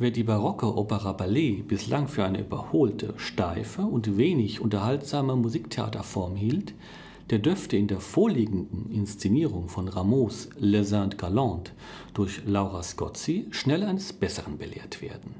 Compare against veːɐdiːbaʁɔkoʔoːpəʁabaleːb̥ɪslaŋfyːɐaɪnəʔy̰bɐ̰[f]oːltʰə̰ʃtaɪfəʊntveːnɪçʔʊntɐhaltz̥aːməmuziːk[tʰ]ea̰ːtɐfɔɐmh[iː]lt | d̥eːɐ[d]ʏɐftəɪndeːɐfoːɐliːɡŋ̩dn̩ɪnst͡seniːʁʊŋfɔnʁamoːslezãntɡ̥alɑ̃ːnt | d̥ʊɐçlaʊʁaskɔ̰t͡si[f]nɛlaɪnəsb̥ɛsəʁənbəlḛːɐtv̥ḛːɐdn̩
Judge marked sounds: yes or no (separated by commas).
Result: no, yes, yes, yes, no